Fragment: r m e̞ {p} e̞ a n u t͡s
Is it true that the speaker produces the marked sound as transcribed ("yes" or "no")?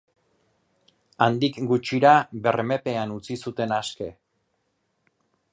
yes